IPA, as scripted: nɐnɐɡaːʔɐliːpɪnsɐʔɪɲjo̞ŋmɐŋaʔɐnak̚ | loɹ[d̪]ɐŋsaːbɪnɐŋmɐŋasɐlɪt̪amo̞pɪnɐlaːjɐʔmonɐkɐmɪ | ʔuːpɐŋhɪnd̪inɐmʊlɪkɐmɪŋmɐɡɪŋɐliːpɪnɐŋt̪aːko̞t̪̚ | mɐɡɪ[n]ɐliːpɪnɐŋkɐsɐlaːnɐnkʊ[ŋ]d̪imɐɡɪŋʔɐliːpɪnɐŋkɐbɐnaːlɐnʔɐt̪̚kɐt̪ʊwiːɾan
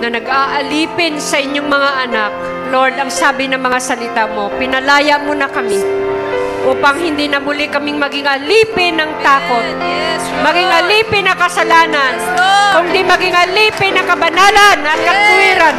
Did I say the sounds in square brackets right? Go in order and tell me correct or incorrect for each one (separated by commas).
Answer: correct, incorrect, correct